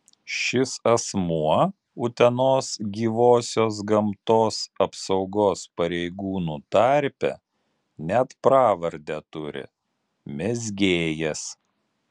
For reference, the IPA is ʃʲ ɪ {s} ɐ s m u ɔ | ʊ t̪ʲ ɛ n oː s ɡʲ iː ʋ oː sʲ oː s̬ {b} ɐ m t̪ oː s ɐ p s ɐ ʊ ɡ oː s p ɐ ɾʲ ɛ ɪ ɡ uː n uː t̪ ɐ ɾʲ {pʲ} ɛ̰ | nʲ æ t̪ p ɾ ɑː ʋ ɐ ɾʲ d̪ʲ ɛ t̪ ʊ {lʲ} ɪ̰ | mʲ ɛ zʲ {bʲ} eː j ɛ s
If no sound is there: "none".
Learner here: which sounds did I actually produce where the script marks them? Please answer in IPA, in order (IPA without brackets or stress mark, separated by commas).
s, ɡ, pʲ, ɾʲ, ɡʲ